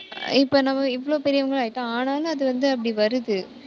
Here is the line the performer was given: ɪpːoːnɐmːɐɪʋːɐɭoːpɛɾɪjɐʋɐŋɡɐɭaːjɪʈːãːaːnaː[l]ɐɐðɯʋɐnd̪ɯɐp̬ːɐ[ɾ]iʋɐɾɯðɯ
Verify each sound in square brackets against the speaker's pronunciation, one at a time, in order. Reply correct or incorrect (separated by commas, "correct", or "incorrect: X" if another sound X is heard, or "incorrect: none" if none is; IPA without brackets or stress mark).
correct, incorrect: ɽ